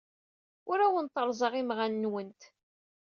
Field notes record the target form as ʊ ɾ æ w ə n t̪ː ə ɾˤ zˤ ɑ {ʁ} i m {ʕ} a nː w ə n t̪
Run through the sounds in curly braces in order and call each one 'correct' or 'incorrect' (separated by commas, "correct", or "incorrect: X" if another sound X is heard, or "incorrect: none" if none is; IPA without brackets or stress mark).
correct, incorrect: ʁ